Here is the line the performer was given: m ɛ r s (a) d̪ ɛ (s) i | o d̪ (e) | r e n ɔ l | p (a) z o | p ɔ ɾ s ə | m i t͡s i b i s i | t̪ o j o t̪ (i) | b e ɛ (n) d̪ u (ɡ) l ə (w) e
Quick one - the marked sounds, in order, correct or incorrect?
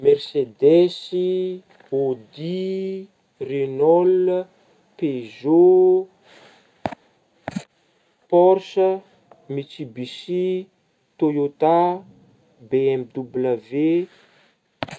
incorrect: e, correct, incorrect: i, incorrect: e, incorrect: a, incorrect: m, incorrect: b, incorrect: v

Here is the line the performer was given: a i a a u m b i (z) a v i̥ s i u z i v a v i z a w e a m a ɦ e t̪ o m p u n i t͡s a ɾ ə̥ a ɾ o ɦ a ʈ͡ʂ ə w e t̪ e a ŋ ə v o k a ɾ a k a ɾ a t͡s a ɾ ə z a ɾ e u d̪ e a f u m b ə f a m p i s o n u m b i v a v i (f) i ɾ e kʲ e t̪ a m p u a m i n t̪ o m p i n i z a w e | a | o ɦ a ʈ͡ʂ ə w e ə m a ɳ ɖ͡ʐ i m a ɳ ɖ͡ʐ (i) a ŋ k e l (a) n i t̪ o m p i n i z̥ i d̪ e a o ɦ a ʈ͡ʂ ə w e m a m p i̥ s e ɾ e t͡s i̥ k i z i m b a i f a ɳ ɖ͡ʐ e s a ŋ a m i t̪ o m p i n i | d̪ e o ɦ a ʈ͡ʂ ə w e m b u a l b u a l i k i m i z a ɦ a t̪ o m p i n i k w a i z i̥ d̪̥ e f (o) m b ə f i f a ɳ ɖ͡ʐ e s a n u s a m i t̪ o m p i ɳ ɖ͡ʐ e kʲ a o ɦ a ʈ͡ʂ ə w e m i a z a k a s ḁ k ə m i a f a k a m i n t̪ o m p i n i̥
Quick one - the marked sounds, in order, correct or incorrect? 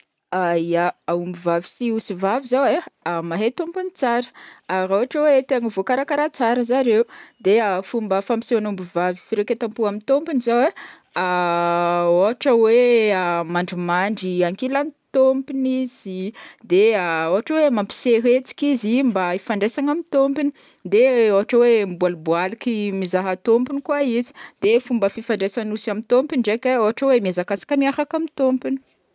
incorrect: v, correct, correct, correct, incorrect: u

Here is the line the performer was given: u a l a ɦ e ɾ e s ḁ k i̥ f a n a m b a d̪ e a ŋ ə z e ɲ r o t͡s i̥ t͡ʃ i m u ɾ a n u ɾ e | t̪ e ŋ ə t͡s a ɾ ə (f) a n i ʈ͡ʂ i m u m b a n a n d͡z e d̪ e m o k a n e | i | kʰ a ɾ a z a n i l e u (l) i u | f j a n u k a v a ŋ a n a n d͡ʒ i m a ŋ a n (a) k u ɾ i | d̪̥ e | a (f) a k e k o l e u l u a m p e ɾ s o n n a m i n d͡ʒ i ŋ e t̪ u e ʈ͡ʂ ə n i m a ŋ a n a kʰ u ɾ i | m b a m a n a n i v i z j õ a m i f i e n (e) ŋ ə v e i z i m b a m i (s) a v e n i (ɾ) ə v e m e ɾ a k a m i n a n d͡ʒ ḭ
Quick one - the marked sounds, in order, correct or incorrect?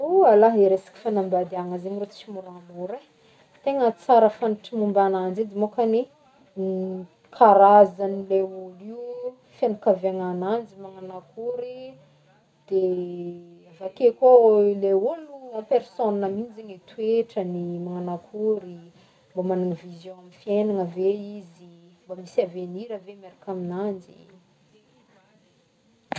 correct, correct, correct, incorrect: v, incorrect: a, correct, correct

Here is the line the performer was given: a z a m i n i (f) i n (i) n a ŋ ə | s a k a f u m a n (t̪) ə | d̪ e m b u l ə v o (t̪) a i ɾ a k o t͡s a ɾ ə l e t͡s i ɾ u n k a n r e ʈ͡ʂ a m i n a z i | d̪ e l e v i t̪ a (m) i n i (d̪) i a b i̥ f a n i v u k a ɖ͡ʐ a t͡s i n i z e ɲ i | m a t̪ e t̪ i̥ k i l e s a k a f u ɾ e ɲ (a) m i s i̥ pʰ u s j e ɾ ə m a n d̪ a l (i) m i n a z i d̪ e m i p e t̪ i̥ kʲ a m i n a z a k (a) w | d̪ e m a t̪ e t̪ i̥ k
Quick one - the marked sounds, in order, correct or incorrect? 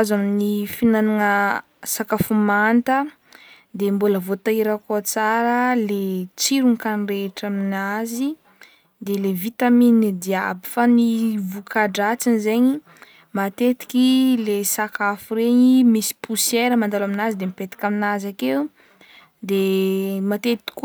correct, incorrect: a, correct, correct, correct, correct, incorrect: i, incorrect: a, incorrect: e

